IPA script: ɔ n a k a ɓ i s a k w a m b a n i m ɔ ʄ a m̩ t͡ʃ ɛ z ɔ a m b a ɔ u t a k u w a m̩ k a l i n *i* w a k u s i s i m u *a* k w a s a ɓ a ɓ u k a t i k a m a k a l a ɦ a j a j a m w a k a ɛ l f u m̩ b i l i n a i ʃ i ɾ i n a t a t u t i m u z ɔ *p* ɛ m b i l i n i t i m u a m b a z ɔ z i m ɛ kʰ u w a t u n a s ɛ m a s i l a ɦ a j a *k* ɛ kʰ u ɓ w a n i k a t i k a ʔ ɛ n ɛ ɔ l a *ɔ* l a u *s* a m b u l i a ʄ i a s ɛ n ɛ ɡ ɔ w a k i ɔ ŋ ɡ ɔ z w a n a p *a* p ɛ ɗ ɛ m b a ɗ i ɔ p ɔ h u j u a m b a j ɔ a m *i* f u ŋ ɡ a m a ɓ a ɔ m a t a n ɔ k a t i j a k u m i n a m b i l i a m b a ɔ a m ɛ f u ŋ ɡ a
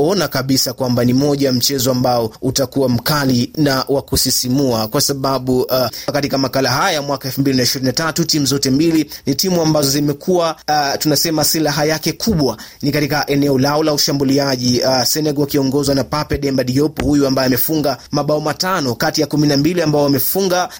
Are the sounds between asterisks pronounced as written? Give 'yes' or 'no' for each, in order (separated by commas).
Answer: no, yes, no, yes, yes, no, yes, no